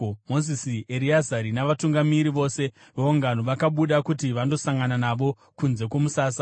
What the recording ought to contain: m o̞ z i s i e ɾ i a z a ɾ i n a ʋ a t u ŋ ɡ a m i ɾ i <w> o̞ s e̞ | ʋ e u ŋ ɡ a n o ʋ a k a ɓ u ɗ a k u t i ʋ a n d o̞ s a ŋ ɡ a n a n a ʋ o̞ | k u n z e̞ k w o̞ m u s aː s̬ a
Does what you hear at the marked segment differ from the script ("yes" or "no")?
yes